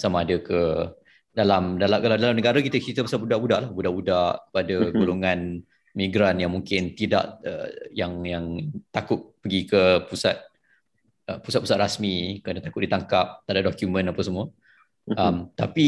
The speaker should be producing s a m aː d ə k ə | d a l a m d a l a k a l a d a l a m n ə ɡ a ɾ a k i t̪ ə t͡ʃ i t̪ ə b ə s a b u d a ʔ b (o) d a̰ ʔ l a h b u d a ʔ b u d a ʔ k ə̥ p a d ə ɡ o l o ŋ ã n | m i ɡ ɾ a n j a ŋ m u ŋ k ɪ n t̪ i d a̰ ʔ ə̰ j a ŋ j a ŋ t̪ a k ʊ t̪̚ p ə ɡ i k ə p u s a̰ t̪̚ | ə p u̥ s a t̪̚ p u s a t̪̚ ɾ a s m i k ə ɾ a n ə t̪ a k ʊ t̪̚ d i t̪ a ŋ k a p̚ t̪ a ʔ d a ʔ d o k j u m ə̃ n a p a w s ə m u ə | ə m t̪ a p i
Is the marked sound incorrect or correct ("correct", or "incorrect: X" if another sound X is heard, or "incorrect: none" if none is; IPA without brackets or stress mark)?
incorrect: u